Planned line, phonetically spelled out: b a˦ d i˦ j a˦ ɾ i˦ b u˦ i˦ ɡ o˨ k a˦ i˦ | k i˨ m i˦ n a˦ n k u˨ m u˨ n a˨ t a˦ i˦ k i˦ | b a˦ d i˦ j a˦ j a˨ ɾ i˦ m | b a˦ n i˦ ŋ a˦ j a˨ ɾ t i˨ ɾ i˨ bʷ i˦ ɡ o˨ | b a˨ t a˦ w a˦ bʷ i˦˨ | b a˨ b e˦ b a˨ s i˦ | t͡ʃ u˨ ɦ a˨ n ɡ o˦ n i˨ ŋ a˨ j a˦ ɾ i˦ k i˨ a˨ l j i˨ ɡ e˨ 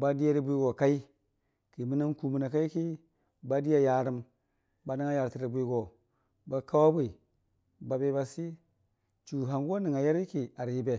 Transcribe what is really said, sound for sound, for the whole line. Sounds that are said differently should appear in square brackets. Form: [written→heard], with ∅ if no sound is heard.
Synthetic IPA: b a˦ d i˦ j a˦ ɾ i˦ b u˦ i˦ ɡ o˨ k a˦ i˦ | k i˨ m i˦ n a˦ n k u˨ m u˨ n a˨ [t→k] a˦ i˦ k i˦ | b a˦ d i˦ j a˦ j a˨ ɾ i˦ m | b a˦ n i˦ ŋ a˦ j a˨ ɾ t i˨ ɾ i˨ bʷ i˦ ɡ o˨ | b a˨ [t→k] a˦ w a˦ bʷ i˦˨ | b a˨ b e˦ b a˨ s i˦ | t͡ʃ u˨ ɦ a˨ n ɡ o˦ n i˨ ŋ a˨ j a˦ ɾ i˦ k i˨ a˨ [l→ɾ] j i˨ [ɡ→b] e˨

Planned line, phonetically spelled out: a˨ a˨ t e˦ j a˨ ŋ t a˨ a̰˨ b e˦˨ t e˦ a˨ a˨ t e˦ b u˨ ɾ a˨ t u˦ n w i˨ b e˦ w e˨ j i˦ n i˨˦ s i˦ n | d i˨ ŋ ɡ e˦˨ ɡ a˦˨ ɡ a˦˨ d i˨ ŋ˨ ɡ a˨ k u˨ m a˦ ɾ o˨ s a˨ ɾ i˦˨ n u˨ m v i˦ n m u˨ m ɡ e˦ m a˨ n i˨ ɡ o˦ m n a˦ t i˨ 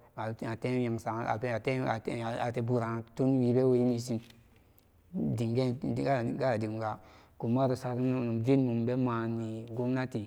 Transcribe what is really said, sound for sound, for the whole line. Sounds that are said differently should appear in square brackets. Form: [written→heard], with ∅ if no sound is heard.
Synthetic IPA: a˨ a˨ t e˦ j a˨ ŋ [t→s] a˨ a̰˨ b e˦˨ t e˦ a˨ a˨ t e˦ b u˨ ɾ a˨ t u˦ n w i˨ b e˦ w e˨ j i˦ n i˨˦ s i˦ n | d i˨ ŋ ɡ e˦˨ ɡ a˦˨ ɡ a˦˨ d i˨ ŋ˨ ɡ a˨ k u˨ m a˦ ɾ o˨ s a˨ ɾ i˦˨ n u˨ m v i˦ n m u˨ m [ɡ→b] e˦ m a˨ n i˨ ɡ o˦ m n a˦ t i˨

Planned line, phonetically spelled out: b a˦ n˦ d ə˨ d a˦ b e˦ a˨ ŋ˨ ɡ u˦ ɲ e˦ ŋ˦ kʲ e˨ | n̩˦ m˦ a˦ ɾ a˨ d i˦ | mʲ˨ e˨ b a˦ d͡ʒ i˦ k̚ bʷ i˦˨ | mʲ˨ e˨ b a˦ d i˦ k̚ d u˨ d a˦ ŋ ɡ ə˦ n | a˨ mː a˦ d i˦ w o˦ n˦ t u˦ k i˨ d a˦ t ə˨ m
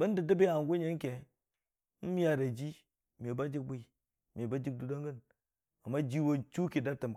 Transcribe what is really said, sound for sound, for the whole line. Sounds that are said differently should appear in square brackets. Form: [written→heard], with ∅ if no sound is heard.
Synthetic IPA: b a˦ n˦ d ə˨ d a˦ b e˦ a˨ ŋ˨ ɡ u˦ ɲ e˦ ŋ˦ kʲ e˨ | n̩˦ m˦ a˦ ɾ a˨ [d→d͡ʒ] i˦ | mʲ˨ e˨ b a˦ d͡ʒ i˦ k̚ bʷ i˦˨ | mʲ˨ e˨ b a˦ [d→d͡ʒ] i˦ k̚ d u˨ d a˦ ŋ ɡ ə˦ n | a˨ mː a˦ [d→d͡ʒ] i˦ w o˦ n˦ [t→t͡ʃ] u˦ k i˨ d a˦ t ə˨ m

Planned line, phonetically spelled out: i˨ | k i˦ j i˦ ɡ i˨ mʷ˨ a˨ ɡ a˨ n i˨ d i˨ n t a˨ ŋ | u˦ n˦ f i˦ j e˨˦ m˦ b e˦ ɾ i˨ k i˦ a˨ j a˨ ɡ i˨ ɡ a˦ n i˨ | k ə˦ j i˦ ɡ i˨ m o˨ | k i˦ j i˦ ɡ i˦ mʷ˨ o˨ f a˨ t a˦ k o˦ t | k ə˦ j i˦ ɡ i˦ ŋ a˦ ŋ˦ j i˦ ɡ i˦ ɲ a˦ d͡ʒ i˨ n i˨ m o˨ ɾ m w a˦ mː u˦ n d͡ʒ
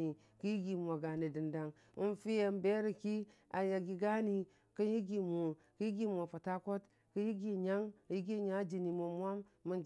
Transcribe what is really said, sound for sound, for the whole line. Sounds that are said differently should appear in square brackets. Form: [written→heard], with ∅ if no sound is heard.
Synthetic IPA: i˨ | k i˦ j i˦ ɡ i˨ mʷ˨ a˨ ɡ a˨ n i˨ d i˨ n [t→d] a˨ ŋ | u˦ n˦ f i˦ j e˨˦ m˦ b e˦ ɾ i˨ k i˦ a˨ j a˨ ɡ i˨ ɡ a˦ n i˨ | k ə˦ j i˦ ɡ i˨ m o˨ | k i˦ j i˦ ɡ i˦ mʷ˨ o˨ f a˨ t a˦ k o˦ t | k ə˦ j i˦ ɡ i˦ [ŋ→ɲ] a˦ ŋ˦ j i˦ ɡ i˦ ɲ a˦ d͡ʒ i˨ n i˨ m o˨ [ɾ→∅] m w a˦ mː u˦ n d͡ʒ

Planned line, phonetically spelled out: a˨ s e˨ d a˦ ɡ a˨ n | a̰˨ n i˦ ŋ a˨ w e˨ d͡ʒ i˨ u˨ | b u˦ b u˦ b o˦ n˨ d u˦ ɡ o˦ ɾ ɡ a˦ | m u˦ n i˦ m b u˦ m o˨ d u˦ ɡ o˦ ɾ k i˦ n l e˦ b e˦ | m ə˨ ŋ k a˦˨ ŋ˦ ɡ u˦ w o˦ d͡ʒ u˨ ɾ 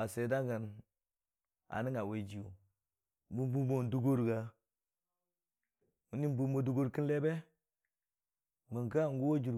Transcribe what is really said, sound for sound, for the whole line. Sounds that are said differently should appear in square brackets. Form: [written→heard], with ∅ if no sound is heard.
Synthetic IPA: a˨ s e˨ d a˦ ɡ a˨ n | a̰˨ n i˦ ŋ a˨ w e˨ d͡ʒ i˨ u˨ | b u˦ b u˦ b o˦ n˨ d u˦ ɡ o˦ ɾ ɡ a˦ | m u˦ n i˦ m b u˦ m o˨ d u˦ ɡ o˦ ɾ k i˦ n l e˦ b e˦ | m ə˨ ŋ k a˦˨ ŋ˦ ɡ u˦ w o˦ d͡ʒ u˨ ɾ

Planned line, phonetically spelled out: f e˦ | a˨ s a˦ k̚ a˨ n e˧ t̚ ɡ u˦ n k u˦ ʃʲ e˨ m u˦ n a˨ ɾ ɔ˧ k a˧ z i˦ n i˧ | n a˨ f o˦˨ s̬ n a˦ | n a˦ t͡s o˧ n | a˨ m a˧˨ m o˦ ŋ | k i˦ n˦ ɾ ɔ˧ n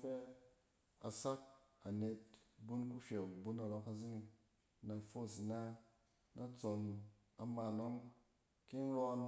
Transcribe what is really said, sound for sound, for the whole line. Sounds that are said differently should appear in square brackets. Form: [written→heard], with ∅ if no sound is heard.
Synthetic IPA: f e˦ | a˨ s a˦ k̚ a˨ n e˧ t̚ [ɡ→b] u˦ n k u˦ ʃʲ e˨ [m→b] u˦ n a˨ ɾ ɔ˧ k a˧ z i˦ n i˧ | n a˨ f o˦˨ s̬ n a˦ | n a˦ t͡s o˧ n | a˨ m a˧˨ [m→n] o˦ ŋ | k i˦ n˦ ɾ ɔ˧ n

